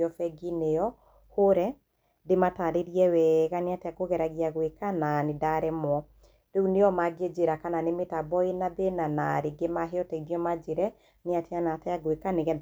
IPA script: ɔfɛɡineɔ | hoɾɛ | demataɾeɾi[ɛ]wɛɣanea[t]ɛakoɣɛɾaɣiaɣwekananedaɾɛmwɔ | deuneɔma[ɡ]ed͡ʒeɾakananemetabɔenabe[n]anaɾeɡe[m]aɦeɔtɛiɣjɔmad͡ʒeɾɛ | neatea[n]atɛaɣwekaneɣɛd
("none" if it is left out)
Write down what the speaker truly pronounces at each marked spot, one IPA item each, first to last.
ɛ, t, ɡ, n, m, n

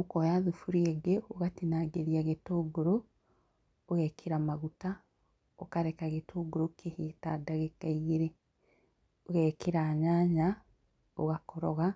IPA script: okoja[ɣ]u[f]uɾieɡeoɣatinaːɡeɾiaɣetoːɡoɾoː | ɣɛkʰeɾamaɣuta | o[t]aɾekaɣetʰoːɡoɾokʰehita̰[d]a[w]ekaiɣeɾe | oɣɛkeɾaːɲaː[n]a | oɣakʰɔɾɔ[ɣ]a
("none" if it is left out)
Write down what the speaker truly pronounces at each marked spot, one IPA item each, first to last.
ð, f, k, d, ɣ, ɲ, ɣ

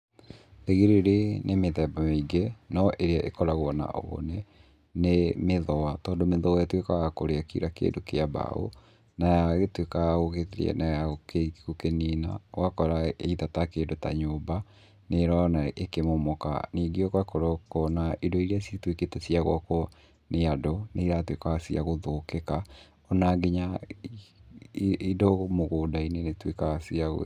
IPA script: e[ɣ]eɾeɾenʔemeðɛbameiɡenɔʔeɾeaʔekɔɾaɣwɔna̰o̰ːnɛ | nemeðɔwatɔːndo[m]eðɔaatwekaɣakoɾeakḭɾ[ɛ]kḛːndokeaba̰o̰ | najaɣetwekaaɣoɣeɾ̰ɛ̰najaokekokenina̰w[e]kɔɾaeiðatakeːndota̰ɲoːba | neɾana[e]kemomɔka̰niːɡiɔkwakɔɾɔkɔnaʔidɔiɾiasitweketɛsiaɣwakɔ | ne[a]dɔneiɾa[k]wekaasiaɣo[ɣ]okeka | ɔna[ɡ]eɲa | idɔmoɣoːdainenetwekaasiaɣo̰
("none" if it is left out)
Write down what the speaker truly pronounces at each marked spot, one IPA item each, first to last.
ɣ, m, a, a, e, a, t, ð, ɡ

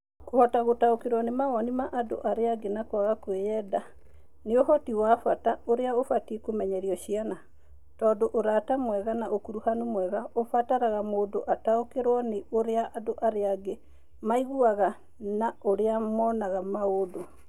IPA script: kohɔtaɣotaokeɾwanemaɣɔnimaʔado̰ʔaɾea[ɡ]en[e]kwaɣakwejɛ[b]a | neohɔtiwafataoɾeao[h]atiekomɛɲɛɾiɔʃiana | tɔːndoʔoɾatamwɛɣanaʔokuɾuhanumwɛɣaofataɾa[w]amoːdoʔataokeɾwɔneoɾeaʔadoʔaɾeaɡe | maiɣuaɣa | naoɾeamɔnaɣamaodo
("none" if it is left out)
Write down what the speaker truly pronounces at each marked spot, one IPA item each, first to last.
ɡ, a, d, f, ɣ

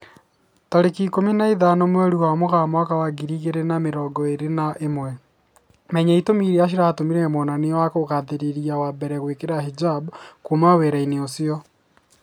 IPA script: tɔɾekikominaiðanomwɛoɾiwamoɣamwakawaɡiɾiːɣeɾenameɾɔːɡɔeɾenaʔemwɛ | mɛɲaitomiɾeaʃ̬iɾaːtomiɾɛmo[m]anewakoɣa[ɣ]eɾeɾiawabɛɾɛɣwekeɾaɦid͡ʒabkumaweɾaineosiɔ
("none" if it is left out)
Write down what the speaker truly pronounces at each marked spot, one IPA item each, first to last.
n, ð

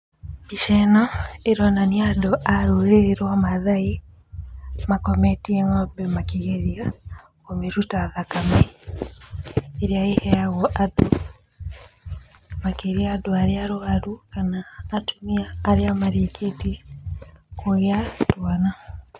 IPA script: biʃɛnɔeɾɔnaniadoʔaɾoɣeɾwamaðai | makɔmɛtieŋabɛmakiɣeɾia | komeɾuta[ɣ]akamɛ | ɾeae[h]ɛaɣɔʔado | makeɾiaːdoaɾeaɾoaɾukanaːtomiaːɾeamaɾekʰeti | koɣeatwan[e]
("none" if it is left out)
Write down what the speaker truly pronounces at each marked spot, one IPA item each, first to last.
ð, h, a

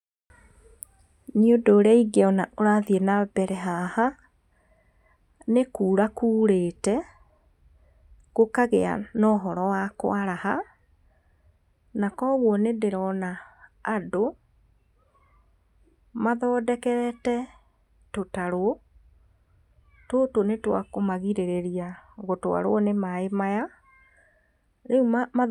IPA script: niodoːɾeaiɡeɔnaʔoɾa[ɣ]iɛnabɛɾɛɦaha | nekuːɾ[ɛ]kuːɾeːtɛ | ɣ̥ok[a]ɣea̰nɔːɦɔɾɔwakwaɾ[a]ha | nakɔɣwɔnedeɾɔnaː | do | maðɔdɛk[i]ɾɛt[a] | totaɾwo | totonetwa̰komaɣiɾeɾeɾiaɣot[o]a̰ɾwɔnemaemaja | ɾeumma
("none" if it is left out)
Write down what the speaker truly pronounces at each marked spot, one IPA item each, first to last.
ð, a, a, a, ɛ, ɛ, o

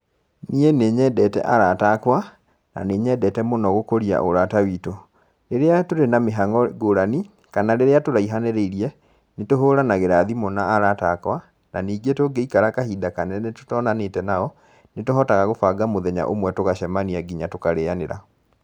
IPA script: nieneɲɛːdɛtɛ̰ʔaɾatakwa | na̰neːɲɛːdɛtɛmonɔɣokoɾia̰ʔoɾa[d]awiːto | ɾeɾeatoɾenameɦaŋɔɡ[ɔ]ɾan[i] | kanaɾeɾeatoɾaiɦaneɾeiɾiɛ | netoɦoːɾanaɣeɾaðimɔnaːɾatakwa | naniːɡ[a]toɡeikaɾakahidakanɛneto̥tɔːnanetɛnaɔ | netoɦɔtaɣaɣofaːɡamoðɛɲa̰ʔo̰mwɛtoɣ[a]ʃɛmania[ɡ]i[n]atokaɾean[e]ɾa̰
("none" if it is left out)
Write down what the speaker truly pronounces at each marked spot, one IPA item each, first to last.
t, o, i, e, a, ɡ, ɲ, e

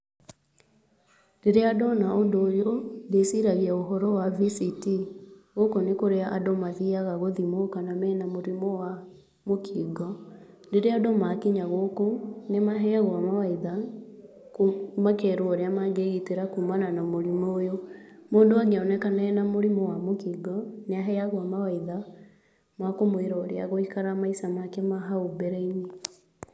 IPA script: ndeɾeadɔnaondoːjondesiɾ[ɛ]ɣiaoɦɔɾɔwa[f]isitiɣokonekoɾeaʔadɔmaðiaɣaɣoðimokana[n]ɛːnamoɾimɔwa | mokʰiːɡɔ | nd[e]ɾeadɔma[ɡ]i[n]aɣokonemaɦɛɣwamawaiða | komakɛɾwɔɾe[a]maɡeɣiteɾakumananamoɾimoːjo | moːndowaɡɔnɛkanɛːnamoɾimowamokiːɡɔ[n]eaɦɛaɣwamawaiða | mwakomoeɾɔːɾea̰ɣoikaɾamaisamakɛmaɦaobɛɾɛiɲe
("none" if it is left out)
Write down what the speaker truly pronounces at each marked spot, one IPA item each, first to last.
a, v, m, e, k, ɲ, a, n

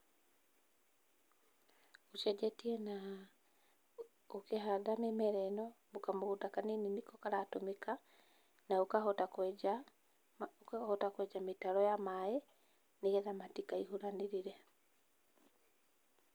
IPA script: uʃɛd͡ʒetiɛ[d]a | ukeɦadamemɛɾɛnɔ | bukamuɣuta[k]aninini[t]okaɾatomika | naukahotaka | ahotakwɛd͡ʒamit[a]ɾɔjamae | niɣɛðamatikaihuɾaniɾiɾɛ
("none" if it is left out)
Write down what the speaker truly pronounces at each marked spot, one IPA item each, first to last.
n, k, k, a

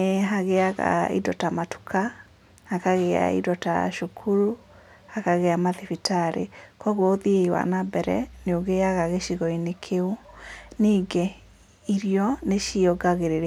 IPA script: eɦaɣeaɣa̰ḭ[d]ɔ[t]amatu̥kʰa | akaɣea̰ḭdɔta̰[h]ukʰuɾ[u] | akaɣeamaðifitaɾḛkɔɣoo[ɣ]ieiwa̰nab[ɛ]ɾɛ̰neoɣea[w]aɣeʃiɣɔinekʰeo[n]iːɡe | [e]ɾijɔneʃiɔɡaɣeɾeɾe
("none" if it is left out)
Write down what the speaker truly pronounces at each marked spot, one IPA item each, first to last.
d, t, ʃ, u, ð, ɛ, ɣ, n, i

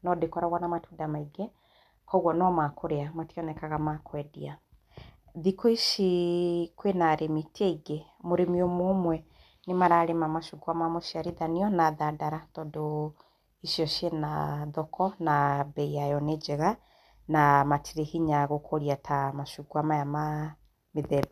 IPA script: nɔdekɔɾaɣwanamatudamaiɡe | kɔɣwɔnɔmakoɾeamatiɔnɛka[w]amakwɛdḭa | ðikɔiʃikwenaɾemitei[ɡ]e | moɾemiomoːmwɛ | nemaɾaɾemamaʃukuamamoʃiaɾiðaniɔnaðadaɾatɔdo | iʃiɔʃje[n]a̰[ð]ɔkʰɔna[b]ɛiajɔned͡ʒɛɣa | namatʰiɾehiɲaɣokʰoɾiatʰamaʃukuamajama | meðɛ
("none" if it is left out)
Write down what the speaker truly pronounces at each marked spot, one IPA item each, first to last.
ɣ, ɡ, n, ð, b

